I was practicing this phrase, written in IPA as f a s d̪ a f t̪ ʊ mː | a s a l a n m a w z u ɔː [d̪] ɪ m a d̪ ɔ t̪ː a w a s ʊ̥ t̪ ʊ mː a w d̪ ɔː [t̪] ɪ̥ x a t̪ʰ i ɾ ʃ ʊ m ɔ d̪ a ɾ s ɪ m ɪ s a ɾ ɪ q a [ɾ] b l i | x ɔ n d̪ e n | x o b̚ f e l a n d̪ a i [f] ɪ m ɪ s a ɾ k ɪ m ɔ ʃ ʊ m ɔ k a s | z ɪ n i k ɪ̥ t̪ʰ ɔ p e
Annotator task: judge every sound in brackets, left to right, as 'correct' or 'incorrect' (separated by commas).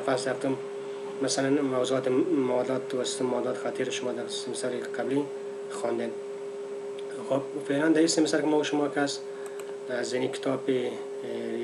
incorrect, correct, incorrect, incorrect